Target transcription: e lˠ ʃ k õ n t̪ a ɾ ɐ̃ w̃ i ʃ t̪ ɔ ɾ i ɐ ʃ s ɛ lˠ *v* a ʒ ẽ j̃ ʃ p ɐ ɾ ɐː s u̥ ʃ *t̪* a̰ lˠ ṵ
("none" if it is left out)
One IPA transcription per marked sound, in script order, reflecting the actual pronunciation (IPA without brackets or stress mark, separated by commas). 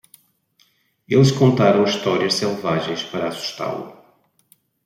v, t̪